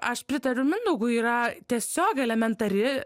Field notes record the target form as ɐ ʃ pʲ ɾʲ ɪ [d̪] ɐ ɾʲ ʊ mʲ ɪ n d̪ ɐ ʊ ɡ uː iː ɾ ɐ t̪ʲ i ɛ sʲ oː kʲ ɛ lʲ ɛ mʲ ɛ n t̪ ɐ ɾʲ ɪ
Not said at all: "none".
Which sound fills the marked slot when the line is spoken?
t̪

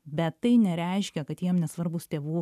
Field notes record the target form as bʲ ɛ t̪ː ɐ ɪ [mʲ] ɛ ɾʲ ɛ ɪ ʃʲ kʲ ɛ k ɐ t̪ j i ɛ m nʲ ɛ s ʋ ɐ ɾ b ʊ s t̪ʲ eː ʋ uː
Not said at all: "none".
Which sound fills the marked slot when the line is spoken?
nʲ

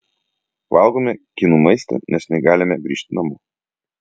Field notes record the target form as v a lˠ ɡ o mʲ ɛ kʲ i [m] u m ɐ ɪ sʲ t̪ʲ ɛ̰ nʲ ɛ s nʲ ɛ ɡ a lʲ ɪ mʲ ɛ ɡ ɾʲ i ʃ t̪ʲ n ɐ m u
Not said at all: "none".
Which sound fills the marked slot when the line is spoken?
n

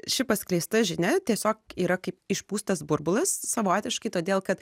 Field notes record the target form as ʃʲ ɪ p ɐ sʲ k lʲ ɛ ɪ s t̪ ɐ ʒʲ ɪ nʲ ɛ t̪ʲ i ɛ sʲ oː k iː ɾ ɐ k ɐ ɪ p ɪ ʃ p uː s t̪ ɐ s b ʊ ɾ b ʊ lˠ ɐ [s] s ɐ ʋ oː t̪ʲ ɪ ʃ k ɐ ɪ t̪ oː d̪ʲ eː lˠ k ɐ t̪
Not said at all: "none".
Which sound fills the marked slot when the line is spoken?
s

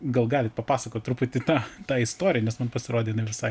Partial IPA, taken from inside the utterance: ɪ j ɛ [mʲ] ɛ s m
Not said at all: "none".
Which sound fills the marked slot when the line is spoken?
nʲ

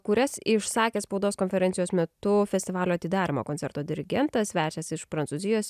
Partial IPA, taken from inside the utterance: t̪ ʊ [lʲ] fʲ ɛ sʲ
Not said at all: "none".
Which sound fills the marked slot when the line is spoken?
none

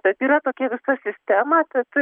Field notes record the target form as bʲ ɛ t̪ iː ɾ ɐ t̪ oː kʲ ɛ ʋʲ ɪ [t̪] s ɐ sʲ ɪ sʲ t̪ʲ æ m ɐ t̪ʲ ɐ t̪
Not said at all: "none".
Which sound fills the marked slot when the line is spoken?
none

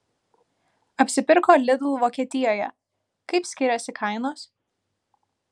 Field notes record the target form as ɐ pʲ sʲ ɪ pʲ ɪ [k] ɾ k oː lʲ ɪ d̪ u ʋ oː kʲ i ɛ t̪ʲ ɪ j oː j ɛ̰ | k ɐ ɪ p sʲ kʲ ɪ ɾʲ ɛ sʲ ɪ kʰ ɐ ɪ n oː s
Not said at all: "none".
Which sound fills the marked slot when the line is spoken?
none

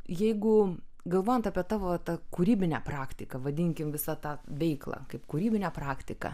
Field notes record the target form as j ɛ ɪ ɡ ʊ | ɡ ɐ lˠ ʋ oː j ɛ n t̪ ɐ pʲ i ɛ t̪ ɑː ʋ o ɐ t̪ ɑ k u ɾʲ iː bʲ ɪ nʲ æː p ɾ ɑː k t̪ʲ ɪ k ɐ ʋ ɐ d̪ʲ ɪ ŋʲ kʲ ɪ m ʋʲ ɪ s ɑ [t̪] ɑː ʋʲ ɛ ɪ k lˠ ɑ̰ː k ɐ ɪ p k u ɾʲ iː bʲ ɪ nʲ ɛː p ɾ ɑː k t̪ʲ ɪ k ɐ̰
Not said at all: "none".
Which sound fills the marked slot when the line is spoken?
t̪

